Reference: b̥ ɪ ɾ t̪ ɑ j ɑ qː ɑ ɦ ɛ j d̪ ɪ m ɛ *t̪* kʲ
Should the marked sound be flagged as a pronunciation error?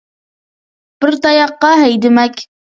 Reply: yes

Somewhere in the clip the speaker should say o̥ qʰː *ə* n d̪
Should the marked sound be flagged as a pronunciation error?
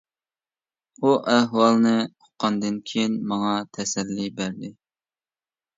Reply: yes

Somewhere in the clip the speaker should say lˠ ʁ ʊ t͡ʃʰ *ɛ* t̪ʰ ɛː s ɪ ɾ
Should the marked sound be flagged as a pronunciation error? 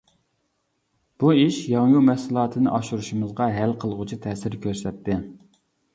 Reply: yes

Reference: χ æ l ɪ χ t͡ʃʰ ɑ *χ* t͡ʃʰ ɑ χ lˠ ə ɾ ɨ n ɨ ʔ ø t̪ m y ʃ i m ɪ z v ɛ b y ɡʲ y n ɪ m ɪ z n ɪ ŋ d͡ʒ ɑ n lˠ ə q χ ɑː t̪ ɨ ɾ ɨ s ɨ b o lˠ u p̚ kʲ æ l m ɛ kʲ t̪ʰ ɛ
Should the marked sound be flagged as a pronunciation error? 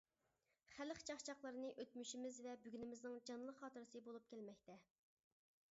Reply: no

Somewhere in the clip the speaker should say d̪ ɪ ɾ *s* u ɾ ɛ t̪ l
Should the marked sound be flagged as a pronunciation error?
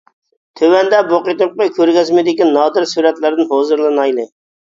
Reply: no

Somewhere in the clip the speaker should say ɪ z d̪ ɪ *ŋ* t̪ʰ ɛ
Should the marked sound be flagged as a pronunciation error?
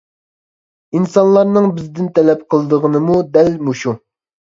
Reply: yes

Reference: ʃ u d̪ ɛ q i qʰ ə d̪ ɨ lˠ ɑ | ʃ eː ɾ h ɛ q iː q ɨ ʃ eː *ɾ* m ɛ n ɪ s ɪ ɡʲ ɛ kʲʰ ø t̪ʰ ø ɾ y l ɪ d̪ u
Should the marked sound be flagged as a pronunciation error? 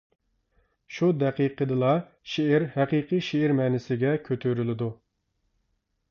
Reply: no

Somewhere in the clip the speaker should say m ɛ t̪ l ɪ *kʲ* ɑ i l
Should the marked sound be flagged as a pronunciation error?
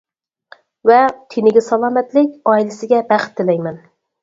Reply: no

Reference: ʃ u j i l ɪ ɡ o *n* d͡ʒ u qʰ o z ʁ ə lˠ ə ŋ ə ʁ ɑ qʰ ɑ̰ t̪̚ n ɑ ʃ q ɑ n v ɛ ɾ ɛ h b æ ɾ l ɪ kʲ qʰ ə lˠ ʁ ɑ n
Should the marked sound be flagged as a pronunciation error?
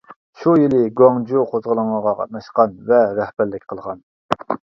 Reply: yes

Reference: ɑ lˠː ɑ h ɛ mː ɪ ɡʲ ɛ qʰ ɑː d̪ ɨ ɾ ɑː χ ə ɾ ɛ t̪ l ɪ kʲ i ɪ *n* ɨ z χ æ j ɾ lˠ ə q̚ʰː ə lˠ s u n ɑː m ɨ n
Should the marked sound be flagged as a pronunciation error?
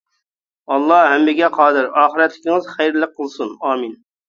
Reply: yes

